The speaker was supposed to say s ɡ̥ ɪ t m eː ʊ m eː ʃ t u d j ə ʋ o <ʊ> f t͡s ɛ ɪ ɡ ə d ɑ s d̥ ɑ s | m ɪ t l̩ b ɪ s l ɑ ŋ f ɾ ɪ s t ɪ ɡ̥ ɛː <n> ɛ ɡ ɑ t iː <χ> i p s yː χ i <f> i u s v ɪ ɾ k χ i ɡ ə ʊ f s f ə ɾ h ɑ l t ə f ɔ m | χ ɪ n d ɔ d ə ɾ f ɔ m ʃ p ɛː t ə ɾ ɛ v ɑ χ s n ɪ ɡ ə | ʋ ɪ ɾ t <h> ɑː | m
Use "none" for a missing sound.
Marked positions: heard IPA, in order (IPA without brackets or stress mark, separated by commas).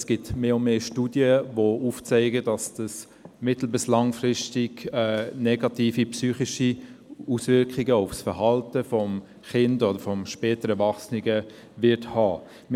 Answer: u, n, f, ʃ, h